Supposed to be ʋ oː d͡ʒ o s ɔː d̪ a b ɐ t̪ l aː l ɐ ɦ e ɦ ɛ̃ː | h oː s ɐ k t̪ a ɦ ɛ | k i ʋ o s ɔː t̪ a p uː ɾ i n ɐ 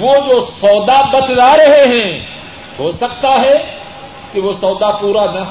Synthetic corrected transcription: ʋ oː d͡ʒ o s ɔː d̪ a b ɐ t̪ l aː ɾ ɐ ɦ e ɦ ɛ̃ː | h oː s ɐ k t̪ a ɦ ɛ | k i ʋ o s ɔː d̪ a p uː ɾ a n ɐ